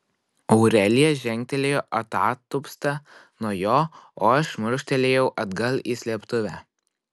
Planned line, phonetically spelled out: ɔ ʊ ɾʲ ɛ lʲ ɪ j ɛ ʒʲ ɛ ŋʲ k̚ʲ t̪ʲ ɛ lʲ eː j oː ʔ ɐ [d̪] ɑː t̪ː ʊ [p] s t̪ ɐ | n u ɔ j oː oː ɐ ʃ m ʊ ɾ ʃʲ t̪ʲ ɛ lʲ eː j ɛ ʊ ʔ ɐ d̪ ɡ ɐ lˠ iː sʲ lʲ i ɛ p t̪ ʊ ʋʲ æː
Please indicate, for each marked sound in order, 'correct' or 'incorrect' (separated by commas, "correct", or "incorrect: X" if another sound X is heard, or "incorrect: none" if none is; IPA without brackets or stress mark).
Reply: incorrect: t̪, correct